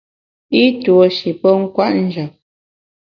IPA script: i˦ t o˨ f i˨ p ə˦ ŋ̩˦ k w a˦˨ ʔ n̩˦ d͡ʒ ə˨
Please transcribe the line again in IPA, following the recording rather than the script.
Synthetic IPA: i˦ t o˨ ʃ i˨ p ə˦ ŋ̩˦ k w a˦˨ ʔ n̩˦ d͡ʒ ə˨